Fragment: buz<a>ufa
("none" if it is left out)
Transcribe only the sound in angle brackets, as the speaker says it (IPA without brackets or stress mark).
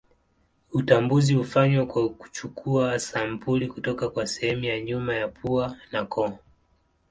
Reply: i